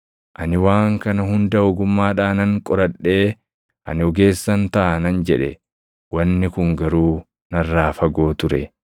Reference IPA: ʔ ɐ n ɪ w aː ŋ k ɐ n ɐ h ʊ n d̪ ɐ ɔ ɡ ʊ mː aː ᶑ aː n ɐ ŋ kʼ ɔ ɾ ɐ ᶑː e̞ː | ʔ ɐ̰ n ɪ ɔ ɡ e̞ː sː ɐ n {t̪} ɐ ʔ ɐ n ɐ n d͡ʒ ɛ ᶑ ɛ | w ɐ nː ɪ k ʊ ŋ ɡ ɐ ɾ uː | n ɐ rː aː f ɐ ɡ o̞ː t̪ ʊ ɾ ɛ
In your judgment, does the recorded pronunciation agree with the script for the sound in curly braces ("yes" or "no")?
yes